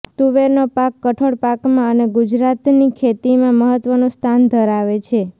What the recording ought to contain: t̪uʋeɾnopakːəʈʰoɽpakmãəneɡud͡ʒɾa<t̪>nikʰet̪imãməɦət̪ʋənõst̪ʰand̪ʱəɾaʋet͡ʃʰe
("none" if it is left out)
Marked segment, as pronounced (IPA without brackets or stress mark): t̪